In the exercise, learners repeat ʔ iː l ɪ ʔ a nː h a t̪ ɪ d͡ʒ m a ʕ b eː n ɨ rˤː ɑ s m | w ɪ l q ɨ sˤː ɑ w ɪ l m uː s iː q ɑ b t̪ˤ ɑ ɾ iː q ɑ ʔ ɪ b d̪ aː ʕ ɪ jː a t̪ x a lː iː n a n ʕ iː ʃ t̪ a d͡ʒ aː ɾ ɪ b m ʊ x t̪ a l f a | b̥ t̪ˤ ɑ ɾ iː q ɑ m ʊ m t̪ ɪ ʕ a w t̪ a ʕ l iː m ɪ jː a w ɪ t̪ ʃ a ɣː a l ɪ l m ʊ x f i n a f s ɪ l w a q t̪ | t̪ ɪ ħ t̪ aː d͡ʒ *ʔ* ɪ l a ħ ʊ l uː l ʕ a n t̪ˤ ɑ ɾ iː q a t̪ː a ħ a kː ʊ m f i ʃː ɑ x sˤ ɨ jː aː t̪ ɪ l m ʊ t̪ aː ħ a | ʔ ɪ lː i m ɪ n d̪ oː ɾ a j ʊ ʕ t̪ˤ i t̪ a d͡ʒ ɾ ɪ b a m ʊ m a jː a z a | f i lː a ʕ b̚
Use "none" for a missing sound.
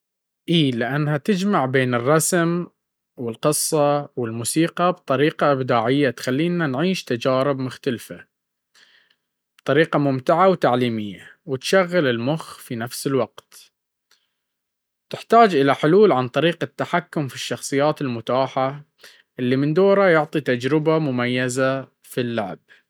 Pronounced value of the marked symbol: ʔ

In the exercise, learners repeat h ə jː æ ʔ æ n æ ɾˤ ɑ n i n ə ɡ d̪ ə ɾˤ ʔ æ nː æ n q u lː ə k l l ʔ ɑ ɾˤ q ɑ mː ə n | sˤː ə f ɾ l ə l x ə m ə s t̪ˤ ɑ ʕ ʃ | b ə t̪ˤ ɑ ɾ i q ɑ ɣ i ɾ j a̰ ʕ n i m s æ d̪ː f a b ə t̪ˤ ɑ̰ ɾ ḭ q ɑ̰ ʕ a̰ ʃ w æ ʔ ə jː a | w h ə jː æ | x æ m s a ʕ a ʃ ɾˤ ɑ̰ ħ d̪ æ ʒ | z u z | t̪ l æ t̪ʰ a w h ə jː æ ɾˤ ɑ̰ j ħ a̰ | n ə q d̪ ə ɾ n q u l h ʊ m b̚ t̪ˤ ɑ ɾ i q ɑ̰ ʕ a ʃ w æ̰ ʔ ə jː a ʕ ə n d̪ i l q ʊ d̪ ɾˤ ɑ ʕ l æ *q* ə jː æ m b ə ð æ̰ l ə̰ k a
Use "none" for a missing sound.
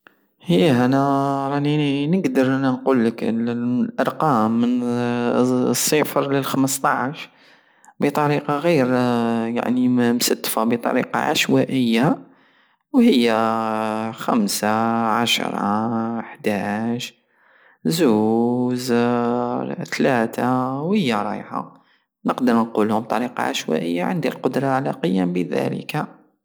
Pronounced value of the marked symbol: q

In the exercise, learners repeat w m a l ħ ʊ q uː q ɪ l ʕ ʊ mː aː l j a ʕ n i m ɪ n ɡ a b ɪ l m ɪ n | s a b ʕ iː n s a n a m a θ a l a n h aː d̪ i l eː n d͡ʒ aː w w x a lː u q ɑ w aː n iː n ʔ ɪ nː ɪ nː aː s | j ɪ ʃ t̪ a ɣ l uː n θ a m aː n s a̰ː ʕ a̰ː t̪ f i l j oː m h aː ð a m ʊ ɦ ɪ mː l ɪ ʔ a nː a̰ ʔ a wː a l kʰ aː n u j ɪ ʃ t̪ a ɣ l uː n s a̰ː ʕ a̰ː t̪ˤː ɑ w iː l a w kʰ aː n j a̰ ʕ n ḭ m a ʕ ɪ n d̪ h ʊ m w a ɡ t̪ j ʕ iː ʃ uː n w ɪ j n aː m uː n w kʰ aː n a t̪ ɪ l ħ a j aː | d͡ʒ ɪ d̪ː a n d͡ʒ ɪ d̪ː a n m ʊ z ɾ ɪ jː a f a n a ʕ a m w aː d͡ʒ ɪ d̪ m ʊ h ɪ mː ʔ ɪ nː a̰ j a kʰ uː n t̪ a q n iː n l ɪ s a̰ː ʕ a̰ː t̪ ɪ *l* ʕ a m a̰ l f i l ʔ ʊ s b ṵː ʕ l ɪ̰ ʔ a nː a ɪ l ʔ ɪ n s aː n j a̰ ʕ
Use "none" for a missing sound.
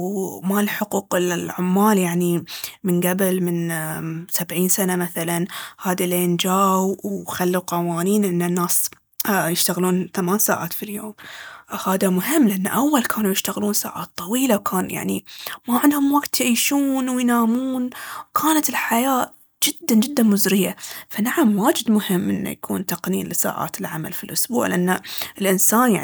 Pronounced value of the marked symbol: l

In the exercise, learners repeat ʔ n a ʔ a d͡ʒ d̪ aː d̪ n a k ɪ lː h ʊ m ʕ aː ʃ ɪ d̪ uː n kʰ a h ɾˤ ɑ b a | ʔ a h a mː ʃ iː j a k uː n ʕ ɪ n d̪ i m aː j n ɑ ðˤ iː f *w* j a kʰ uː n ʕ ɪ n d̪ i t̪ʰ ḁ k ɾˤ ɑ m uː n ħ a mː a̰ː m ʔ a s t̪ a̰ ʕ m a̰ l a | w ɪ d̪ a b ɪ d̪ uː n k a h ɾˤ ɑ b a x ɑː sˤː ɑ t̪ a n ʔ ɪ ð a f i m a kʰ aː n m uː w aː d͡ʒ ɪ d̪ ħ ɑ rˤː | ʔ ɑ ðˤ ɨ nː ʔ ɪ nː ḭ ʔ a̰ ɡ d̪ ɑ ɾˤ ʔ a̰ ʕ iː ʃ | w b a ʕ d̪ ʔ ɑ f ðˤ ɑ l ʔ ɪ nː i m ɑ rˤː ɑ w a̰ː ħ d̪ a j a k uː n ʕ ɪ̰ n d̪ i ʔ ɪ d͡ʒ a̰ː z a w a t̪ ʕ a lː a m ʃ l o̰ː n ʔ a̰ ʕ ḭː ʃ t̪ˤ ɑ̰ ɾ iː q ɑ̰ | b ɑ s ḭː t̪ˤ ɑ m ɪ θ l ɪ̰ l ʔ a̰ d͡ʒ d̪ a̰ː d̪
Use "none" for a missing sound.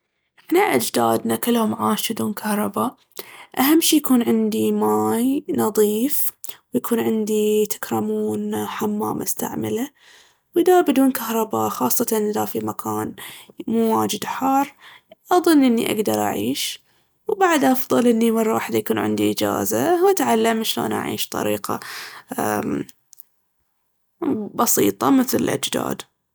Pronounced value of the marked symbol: w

